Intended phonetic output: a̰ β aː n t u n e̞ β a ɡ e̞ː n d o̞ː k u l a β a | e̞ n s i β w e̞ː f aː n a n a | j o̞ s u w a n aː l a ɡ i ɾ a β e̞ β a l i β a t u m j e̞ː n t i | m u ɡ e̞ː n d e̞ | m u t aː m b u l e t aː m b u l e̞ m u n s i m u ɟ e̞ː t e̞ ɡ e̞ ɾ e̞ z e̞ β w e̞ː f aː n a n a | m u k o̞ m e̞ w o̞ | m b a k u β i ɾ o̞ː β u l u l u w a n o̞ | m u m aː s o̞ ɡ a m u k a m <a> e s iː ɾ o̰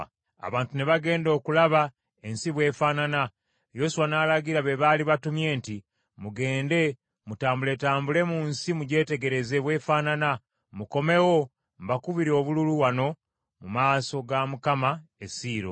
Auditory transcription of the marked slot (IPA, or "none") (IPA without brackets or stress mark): a